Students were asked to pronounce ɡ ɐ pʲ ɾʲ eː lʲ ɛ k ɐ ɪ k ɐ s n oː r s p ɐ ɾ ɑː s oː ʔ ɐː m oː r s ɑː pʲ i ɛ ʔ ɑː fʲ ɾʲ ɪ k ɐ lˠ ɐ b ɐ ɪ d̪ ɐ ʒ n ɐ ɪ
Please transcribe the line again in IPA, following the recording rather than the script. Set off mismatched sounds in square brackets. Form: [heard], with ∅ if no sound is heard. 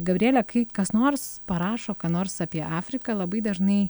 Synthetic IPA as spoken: ɡ ɐ [bʲ] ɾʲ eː lʲ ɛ k ɐ ɪ k ɐ s n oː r s p ɐ ɾ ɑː [ʃ] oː [k] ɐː [n] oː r s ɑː pʲ i ɛ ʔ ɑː fʲ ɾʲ ɪ k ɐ lˠ ɐ b ɐ ɪ d̪ ɐ ʒ n ɐ ɪ